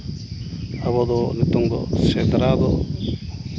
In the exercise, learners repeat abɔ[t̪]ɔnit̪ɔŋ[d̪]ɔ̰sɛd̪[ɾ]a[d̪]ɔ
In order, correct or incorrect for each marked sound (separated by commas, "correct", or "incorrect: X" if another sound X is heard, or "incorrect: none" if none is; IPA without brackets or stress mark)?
incorrect: d̪, correct, correct, correct